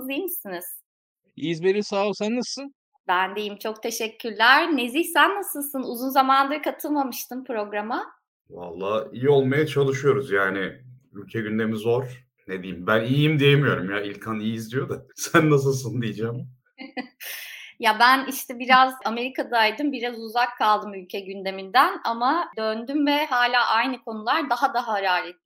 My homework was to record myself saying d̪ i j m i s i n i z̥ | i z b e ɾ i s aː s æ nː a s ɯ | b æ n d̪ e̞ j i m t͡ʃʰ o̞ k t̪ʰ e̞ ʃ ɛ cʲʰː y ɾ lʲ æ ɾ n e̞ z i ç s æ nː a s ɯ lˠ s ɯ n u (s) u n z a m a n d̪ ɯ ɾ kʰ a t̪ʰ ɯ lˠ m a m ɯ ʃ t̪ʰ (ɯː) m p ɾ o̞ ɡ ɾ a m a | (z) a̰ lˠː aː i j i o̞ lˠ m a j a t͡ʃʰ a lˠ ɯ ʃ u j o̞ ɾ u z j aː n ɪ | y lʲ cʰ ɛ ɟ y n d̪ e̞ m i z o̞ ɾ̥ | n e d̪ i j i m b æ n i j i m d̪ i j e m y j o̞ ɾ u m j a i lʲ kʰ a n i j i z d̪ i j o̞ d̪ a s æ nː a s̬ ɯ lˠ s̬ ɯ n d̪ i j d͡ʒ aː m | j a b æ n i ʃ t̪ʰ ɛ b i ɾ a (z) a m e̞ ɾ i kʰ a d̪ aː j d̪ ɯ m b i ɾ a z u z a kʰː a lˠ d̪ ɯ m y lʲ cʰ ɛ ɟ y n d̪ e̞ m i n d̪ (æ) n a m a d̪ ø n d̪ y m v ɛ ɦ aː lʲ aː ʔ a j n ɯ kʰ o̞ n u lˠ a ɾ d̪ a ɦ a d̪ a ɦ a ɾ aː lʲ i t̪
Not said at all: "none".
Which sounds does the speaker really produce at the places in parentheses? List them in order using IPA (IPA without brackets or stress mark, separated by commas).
z, ɯ, v, z, æ